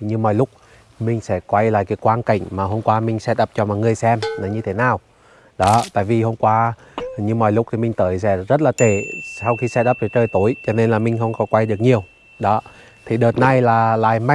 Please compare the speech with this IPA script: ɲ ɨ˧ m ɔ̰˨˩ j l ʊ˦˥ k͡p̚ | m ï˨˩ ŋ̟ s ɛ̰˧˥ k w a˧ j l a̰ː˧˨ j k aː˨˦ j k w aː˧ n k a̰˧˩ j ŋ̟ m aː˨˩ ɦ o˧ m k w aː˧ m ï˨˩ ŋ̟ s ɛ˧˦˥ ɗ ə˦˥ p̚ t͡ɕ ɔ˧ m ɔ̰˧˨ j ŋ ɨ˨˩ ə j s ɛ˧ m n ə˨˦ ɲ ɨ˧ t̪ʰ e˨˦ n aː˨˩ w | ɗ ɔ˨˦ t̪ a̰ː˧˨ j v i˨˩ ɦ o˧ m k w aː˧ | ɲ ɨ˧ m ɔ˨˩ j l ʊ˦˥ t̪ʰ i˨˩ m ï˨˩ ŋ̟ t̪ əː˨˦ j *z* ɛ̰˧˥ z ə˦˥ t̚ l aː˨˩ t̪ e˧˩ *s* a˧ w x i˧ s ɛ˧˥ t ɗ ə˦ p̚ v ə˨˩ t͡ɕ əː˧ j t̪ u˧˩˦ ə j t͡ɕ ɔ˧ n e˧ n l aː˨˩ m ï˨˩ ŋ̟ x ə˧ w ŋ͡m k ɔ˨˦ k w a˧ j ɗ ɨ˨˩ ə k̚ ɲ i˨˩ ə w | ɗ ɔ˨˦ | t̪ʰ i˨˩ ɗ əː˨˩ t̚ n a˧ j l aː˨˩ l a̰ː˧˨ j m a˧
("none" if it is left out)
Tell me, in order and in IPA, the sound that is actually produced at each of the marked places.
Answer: s, s

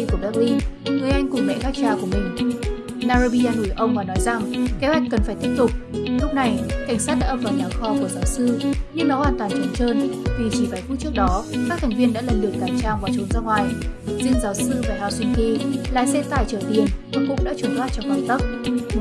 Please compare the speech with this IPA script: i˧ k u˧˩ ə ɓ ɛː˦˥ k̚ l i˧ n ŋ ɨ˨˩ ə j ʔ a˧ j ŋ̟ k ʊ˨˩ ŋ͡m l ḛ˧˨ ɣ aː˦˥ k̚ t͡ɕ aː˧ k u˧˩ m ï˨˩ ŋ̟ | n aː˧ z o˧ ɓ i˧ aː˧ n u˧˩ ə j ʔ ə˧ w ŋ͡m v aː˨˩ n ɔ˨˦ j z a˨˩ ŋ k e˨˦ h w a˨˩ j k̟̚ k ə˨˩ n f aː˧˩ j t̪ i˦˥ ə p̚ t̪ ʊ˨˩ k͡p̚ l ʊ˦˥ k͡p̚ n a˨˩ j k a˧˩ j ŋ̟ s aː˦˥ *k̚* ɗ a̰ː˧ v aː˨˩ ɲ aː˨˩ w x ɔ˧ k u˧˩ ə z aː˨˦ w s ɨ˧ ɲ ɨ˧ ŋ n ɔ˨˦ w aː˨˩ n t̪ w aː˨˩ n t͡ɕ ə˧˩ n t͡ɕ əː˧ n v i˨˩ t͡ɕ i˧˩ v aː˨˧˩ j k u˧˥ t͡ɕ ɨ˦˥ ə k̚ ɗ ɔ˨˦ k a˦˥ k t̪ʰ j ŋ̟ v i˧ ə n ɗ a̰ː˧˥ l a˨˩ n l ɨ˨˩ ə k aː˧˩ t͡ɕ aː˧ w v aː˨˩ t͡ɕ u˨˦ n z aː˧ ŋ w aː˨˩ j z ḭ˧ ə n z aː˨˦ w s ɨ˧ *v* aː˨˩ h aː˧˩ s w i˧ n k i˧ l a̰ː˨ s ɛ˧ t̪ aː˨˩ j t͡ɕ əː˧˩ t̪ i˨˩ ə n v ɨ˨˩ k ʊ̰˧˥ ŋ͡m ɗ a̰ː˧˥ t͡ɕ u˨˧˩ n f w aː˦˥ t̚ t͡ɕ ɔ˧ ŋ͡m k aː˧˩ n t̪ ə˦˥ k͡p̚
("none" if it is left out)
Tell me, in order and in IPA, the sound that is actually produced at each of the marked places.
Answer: t̚, v

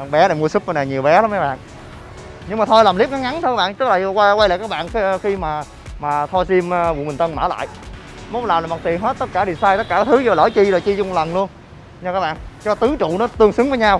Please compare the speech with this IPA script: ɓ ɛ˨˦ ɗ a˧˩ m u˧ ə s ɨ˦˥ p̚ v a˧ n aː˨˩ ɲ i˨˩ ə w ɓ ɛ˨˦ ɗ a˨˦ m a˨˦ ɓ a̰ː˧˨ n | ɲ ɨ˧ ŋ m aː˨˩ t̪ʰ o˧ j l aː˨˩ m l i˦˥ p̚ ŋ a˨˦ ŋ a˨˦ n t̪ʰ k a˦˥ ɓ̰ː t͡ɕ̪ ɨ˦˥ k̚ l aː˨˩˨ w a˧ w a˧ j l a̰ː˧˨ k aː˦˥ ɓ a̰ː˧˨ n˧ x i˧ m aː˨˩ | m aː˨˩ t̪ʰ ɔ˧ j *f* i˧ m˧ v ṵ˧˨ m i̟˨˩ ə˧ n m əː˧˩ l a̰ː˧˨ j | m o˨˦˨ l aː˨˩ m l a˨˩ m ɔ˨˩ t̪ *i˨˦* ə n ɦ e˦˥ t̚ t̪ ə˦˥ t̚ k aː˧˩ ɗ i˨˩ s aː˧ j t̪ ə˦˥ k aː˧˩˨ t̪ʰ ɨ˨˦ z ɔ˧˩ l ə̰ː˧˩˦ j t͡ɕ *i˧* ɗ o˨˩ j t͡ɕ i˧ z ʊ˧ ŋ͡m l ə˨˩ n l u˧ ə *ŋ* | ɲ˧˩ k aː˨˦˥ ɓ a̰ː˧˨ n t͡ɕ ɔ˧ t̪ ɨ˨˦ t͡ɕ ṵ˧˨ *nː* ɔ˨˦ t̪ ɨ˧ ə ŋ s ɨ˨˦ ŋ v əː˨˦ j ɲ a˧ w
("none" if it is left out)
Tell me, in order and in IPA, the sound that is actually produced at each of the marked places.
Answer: s, i˨˩, i˧, n, n

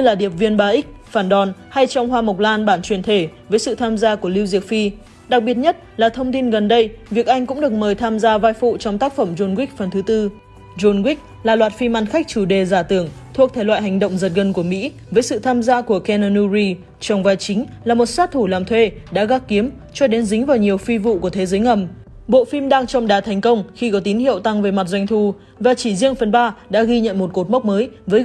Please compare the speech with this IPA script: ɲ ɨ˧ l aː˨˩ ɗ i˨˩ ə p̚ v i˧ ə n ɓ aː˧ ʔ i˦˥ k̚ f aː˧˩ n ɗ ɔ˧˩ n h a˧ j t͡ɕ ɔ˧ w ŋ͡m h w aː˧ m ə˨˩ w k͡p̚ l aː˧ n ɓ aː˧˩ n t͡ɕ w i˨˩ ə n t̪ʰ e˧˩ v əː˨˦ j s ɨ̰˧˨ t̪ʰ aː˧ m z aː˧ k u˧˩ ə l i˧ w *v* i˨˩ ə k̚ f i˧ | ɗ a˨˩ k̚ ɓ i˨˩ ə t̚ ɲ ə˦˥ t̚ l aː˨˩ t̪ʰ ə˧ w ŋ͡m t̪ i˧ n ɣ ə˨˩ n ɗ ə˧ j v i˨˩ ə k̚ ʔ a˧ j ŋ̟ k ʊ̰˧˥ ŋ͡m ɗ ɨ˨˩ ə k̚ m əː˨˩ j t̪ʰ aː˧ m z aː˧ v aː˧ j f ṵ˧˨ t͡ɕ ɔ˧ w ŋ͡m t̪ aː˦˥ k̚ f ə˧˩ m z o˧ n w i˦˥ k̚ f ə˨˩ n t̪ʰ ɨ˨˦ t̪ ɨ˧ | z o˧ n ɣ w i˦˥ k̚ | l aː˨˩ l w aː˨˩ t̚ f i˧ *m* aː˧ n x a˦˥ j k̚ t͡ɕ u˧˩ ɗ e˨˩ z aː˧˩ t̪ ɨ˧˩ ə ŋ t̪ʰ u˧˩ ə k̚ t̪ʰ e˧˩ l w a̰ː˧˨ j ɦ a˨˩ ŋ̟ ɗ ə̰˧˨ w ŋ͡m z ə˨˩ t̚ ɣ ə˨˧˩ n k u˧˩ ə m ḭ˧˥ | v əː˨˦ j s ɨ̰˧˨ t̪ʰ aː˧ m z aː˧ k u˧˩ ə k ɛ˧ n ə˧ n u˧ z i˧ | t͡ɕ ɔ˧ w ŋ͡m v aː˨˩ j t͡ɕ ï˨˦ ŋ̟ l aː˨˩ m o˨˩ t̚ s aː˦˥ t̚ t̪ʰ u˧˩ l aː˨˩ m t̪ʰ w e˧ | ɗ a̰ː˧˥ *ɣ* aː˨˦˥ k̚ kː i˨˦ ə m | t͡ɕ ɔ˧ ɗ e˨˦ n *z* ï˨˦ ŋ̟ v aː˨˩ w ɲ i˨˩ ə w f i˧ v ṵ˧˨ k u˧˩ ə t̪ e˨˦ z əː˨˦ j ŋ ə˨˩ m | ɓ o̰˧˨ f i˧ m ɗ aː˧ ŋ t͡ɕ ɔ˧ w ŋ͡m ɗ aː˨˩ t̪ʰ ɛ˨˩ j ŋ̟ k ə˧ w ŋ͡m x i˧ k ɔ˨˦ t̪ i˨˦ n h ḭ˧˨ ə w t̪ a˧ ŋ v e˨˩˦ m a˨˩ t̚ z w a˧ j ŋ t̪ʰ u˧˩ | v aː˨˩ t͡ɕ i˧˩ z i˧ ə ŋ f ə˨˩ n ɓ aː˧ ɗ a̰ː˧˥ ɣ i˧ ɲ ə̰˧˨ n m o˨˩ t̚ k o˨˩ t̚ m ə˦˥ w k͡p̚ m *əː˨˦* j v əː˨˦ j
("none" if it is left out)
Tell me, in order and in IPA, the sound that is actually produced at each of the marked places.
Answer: z, m, ɣ, z, əː˨˦

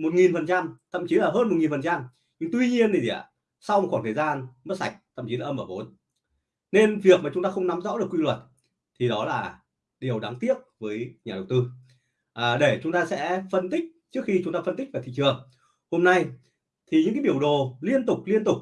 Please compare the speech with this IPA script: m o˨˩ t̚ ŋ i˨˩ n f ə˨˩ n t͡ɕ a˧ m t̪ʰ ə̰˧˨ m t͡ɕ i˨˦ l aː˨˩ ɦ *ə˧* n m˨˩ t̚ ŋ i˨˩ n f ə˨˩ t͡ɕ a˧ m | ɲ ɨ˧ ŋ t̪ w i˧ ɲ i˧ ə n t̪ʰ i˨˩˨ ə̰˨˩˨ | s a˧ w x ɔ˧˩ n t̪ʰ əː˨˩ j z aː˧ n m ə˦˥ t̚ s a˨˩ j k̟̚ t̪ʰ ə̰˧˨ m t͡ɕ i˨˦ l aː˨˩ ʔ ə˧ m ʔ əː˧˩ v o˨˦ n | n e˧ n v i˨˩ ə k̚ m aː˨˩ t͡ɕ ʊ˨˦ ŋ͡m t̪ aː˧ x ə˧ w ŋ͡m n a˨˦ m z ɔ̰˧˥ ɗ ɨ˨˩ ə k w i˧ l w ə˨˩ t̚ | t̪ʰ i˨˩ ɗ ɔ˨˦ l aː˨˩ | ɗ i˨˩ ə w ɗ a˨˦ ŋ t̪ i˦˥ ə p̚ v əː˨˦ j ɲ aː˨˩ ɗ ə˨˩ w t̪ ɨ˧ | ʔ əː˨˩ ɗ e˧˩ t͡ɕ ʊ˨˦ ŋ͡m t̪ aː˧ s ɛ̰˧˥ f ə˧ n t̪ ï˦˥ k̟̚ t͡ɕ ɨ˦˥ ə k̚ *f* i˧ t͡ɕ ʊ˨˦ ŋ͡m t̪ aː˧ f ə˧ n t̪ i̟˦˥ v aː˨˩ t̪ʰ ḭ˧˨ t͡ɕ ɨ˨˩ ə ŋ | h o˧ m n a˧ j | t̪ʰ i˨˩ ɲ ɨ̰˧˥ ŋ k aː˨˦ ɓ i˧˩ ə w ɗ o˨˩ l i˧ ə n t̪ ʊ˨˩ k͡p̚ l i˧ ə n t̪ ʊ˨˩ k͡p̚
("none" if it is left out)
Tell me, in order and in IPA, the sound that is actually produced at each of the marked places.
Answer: əː˧, x

